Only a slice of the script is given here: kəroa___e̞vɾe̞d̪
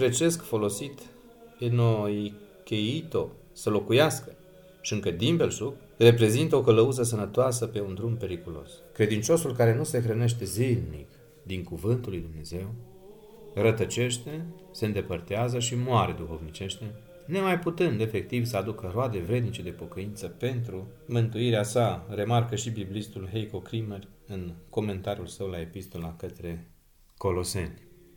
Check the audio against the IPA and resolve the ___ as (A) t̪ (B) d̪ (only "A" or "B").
B